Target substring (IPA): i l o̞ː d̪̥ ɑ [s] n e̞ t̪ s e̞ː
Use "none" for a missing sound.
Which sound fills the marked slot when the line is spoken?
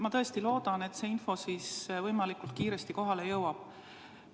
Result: none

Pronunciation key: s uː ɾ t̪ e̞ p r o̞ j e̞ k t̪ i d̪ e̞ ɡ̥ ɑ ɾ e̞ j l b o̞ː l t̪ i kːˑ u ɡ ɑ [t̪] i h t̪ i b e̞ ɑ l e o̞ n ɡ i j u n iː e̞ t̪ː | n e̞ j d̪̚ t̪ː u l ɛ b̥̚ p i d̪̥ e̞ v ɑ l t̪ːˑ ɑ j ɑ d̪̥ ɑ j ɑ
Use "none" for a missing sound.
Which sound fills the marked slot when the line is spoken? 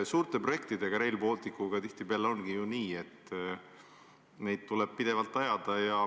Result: t̪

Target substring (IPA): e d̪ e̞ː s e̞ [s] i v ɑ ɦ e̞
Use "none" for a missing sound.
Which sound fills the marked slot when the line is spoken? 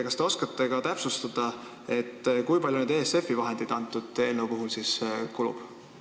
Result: f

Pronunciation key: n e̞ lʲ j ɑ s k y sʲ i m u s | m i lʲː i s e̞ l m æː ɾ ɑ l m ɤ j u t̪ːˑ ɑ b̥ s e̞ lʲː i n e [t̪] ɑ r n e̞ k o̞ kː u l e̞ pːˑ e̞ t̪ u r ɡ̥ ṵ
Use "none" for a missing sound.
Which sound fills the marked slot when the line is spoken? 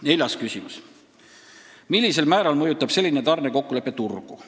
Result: t̪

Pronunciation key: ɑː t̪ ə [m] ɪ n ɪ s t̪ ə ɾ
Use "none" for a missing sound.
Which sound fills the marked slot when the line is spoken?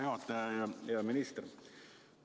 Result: m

